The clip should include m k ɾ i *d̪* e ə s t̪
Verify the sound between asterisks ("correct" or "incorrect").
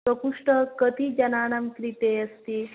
incorrect